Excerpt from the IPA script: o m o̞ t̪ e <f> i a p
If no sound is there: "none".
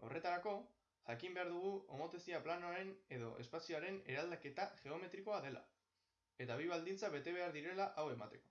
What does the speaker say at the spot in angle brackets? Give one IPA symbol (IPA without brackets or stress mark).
s